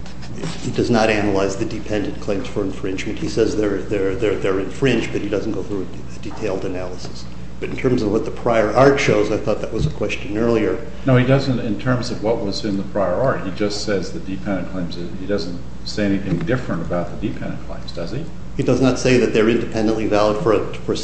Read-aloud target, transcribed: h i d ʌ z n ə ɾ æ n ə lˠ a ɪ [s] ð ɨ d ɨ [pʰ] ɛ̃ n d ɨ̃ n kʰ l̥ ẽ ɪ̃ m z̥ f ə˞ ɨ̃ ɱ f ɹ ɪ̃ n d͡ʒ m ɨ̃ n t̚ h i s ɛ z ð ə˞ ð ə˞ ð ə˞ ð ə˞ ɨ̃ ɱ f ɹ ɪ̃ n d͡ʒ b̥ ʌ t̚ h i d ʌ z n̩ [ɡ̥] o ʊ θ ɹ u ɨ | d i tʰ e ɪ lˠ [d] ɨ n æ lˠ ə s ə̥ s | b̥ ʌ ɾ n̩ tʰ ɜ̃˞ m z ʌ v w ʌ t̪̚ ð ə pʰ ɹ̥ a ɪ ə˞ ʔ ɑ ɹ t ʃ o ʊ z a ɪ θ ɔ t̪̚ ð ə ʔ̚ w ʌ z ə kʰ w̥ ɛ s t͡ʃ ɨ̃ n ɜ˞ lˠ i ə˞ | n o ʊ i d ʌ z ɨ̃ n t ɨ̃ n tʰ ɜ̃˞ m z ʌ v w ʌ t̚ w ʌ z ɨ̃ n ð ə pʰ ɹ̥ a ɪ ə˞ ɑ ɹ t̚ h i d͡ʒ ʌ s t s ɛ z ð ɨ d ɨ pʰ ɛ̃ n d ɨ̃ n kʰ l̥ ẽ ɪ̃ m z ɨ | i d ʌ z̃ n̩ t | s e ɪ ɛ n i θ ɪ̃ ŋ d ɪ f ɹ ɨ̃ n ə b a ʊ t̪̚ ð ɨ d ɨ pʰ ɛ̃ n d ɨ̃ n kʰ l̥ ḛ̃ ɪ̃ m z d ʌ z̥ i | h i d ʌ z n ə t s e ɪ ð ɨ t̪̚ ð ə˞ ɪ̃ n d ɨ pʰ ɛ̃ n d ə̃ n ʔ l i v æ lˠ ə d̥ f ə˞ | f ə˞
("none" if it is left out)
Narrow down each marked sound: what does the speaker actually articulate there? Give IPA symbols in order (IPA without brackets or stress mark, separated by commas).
z, pʰ, ɡ̥, d